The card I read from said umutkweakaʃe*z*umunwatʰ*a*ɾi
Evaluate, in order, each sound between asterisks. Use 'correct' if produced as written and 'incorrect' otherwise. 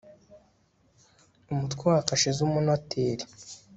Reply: correct, incorrect

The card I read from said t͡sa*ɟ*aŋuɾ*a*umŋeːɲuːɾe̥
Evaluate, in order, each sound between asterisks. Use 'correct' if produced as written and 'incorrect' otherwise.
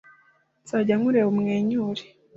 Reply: correct, incorrect

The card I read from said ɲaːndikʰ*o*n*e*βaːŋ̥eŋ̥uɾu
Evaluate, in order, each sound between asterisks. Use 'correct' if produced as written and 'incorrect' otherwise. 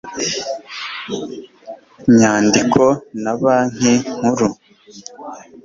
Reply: correct, incorrect

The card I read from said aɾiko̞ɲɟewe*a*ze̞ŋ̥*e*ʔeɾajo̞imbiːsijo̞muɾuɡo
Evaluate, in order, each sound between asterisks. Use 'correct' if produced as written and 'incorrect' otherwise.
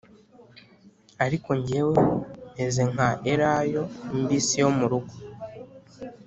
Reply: incorrect, incorrect

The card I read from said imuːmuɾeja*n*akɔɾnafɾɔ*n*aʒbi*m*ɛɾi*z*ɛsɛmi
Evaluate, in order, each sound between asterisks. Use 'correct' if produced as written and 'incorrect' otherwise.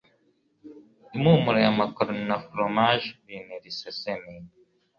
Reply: incorrect, incorrect, incorrect, incorrect

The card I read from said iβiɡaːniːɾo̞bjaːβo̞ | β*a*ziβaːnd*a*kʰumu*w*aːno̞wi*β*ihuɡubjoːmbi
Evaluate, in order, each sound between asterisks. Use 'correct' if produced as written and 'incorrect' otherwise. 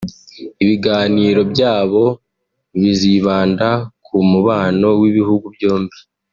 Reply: incorrect, correct, incorrect, correct

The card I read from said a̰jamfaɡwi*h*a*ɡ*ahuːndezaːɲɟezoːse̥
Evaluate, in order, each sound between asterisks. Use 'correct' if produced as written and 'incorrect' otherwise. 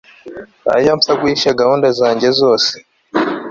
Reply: incorrect, correct

